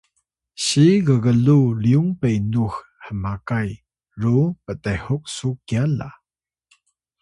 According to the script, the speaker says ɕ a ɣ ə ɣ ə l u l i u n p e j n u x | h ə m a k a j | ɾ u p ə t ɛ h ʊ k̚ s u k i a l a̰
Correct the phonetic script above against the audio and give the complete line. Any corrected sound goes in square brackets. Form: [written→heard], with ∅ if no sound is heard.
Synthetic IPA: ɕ [a→i] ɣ ə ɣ ə l u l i u [n→ŋ] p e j n u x | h ə m a k a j | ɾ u p ə t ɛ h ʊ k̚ s u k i a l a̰